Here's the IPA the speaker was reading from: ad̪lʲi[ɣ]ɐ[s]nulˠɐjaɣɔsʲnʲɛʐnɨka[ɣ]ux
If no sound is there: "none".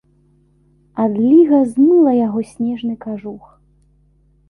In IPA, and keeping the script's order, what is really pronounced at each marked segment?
ɣ, z, ʐ

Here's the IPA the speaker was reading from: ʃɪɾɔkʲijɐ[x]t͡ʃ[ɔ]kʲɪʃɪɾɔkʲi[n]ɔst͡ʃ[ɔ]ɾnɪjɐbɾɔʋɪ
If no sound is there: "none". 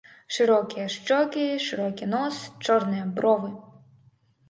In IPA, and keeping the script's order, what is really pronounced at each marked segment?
ʃ, ɔ, n, ɔ

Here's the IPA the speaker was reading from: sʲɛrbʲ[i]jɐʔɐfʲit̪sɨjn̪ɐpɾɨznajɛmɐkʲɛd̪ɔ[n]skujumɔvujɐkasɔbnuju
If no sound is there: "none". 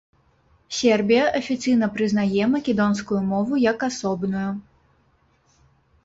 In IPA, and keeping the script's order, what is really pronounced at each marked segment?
i, n

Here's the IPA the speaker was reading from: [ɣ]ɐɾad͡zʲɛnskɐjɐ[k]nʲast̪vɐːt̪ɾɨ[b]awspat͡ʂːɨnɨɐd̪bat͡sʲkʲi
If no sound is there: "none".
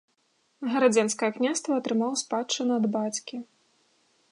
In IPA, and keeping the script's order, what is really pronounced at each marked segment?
ɣ, k, m

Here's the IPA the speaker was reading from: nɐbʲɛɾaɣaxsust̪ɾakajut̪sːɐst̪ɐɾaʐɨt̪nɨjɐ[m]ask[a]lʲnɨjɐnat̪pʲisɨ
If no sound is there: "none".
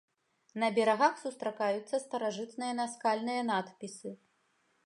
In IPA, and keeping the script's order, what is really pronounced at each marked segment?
n, a

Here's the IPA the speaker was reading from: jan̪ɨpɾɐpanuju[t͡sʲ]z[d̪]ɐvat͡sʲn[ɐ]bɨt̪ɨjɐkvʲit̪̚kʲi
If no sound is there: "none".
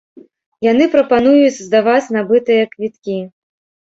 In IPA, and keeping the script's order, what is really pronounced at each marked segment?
t͡sʲ, d̪, a

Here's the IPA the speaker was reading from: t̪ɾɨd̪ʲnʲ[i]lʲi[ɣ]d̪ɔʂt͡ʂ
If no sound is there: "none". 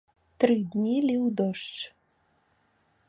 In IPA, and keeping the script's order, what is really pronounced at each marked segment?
i, w

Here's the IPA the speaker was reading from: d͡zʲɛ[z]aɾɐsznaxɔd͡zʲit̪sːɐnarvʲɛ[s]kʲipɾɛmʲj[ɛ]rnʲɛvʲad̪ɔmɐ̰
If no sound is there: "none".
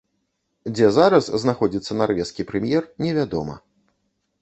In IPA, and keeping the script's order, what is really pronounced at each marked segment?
z, s, ɛ

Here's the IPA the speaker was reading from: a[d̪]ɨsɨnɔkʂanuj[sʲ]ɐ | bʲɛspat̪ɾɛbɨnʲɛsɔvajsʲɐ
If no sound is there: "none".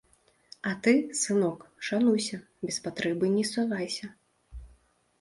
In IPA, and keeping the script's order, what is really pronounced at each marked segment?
t̪, sʲ

